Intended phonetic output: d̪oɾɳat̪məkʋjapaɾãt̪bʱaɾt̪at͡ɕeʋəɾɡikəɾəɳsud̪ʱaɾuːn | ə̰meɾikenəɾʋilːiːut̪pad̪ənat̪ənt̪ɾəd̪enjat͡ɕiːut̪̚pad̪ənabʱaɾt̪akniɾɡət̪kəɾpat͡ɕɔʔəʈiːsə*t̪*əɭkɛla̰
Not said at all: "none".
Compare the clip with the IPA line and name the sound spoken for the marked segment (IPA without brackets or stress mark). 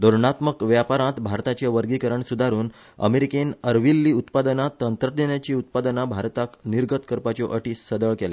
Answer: d̪